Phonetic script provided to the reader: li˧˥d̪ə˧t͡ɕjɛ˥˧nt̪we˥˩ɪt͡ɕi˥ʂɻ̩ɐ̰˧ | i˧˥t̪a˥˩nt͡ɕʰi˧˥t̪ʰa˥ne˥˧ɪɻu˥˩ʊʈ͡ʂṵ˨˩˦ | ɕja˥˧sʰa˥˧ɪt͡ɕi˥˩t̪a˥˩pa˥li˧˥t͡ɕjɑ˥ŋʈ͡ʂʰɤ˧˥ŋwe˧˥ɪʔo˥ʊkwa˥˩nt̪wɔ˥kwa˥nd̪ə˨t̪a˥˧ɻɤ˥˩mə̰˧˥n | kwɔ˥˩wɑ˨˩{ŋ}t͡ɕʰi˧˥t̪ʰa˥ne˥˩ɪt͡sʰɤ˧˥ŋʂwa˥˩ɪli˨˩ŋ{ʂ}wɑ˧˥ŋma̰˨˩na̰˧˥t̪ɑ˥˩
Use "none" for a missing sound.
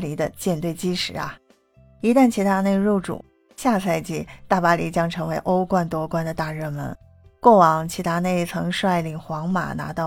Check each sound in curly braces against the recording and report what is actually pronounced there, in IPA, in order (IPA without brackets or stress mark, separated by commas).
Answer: ŋ, x